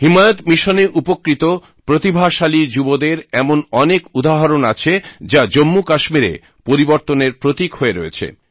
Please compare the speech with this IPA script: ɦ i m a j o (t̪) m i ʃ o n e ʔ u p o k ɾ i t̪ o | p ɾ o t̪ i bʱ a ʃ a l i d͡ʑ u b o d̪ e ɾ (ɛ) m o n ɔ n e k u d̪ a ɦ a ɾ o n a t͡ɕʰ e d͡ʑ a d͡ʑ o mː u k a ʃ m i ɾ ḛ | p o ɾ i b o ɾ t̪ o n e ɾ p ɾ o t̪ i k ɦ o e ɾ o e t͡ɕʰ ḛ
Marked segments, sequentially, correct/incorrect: correct, correct

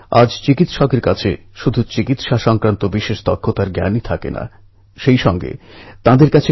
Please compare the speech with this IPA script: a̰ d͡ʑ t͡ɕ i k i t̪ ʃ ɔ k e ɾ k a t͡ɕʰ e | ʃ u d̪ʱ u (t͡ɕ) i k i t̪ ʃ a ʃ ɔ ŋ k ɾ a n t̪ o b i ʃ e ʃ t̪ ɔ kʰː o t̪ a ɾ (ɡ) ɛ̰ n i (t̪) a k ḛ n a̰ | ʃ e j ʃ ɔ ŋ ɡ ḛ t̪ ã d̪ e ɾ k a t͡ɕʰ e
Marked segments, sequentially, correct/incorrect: correct, correct, incorrect

